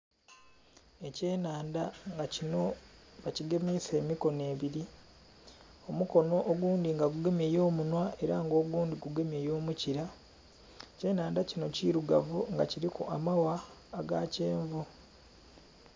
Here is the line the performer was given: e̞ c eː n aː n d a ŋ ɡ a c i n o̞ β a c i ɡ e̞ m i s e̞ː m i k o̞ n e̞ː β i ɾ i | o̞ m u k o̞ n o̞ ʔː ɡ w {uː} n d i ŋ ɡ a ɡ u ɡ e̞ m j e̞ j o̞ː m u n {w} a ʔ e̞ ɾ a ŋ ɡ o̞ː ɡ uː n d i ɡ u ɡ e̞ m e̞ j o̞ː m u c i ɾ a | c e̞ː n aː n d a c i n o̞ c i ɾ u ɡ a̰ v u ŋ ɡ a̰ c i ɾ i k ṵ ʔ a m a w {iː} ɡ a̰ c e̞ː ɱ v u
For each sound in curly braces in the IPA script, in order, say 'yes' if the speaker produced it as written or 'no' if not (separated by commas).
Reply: yes, yes, no